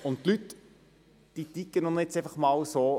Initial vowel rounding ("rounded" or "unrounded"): rounded